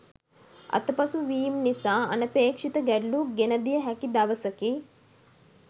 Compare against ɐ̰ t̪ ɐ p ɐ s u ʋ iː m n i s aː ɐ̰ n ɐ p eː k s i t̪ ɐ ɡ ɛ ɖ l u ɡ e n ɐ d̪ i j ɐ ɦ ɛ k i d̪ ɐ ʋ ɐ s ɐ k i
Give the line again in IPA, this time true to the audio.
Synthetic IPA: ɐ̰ t̪ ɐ p ɐ s u ʋ iː m n i s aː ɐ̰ n ɐ p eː k ʂ i t̪ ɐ ɡ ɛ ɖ l u ɡ e n ɐ d̪ i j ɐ ɦ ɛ k i d̪ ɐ ʋ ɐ s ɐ k i